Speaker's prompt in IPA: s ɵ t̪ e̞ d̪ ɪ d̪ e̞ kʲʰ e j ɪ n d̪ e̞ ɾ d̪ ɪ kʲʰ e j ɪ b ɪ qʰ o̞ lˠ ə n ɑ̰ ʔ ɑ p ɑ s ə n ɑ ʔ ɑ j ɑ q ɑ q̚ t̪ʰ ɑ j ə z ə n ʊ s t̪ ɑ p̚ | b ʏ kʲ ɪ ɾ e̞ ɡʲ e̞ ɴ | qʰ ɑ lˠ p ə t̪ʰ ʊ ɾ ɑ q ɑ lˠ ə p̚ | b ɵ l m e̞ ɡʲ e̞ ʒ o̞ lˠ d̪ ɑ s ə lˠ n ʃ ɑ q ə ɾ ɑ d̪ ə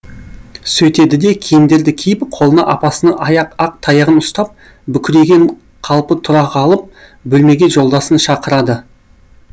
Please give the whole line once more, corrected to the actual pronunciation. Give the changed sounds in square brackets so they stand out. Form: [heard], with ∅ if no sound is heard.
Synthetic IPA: s ɵ t̪ e̞ d̪ ɪ d̪ e̞ kʲʰ e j ɪ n d̪ e̞ ɾ d̪ ɪ kʲʰ e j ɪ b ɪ qʰ o̞ lˠ ə n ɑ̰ ʔ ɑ p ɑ s ə n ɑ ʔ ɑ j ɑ q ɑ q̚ t̪ʰ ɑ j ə [ʁ] ə n ʊ s t̪ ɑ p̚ | b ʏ kʲ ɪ ɾ e̞ ɡʲ e̞ ɴ | qʰ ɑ lˠ p ə t̪ʰ ʊ ɾ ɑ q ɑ lˠ ə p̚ | b ɵ l m e̞ ɡʲ e̞ ʒ o̞ lˠ d̪ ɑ s ə [∅] n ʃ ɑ q ə ɾ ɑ d̪ ə